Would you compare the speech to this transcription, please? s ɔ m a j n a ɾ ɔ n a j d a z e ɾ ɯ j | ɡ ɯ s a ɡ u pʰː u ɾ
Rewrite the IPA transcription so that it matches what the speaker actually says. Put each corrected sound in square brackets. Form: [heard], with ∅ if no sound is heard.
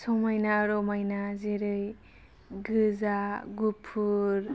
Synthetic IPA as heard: s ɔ m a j n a ɾ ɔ [m] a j [n] a z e ɾ ɯ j | ɡ ɯ [z] a ɡ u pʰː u ɾ